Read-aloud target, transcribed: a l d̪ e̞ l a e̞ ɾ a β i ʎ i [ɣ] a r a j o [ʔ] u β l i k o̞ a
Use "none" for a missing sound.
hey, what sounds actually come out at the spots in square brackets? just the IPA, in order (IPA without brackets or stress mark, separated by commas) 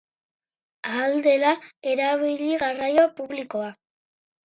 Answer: ɣ, p